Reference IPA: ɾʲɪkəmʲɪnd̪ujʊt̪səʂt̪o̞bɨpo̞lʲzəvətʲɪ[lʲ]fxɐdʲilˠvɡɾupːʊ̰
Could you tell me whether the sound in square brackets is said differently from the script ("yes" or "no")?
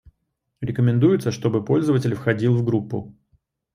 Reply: no